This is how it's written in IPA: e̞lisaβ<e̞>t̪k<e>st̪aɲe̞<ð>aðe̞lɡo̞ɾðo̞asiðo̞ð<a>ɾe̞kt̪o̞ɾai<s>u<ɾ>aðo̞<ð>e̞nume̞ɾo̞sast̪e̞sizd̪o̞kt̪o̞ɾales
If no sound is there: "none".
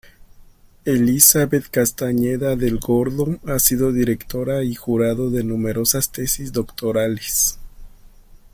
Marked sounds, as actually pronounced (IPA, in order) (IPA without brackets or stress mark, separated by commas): e̞, a, ð, i, x, ɾ, ð